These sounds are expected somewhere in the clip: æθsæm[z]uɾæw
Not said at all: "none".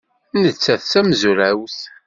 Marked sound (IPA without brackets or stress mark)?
z